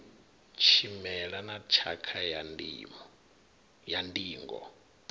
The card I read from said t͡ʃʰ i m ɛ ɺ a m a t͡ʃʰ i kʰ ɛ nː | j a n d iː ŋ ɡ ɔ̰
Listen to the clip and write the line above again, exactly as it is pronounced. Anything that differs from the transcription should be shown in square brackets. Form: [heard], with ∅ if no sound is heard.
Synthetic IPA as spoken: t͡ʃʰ i m ɛ ɺ a [n] a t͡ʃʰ [a] kʰ [a] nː | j a n d iː ŋ ɡ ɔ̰